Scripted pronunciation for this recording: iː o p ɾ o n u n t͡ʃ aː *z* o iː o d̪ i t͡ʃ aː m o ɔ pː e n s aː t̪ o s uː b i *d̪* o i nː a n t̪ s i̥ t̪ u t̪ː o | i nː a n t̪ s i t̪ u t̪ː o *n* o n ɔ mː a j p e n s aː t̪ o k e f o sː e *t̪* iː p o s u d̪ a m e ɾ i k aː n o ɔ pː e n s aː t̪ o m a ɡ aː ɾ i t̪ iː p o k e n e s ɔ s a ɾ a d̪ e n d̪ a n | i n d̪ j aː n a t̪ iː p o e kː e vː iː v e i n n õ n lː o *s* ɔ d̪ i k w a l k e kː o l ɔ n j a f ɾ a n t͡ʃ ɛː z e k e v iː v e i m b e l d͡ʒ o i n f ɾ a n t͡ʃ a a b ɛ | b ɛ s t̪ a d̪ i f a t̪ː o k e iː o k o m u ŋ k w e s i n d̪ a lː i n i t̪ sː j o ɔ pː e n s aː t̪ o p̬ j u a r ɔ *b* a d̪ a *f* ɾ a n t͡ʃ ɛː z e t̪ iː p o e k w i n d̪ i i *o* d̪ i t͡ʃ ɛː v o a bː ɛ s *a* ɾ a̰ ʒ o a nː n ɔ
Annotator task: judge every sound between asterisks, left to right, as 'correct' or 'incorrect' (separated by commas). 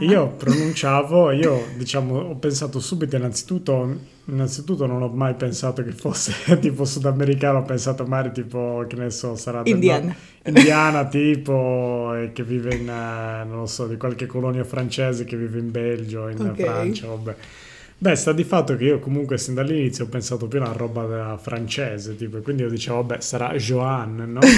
incorrect, incorrect, correct, correct, correct, correct, correct, correct, correct